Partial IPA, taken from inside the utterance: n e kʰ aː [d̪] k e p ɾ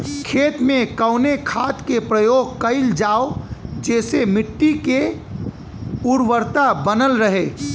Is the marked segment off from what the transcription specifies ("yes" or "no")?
yes